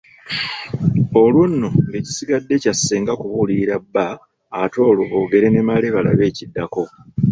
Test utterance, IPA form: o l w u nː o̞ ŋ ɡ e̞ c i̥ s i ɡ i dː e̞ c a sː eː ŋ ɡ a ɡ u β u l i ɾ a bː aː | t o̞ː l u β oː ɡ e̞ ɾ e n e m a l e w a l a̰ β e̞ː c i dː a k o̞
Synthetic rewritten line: o l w u nː o̞ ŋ ɡ e̞ c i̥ s i ɡ a dː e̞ c a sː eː ŋ ɡ a k u β u l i ɾ a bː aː | t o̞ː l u β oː ɡ e̞ ɾ e n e m a l e β a l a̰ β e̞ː c i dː a k o̞